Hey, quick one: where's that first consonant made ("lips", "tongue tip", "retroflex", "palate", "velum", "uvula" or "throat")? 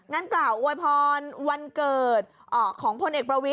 velum